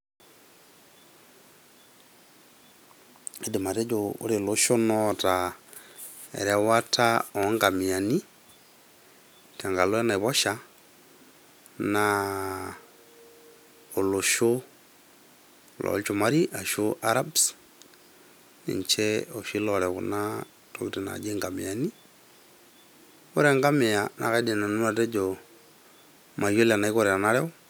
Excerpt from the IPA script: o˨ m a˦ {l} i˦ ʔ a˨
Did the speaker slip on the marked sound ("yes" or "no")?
yes